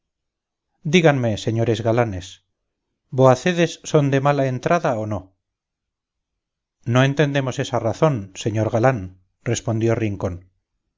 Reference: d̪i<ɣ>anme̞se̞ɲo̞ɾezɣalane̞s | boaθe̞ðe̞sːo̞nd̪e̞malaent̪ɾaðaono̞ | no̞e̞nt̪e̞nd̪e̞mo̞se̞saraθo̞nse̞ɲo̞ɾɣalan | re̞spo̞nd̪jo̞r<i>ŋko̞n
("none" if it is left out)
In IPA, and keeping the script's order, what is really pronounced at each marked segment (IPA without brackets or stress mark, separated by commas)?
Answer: ɣ, i